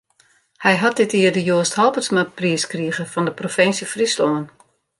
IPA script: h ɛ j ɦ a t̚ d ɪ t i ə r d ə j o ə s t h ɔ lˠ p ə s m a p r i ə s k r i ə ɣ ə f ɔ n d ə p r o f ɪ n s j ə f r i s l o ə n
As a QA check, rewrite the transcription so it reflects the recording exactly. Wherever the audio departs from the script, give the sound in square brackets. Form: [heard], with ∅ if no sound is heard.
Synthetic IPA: h ɛ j ɦ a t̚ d ɪ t i ə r d ə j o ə s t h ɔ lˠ p ə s m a p r i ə s k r i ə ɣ ə f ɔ n d ə p r o f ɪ n s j ə f r i s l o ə n